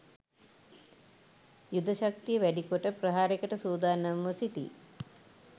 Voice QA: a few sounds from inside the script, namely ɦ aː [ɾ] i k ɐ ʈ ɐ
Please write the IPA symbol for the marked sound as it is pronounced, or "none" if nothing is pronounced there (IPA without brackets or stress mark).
ɾ